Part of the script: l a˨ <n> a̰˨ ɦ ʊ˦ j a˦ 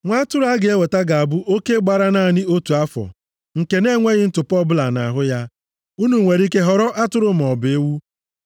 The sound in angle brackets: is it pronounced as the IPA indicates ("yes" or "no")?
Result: yes